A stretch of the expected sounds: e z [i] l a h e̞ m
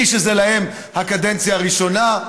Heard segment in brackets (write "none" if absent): e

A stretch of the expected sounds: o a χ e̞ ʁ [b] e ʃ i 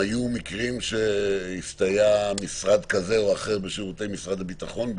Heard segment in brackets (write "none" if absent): b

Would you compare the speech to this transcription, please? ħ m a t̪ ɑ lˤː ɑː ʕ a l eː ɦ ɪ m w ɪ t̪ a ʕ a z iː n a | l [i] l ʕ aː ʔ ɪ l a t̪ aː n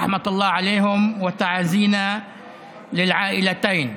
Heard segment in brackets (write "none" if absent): ɪ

